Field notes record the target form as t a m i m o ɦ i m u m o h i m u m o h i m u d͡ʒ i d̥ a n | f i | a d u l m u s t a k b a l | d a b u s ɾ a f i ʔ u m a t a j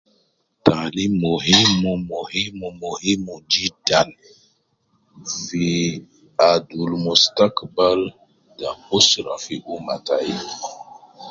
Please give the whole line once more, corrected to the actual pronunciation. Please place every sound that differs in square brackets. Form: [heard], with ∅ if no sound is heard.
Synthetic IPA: t a [n] i m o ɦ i m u m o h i m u m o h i m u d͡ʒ i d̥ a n | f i | a d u l m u s t a k b a l | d a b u s ɾ a f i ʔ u m a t a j